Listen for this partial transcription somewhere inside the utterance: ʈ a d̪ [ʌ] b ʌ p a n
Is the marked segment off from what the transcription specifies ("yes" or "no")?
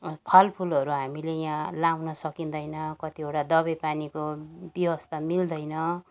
no